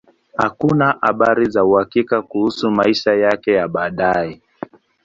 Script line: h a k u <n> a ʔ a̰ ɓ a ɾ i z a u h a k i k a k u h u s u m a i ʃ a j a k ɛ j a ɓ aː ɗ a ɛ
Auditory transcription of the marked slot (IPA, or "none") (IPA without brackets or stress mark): n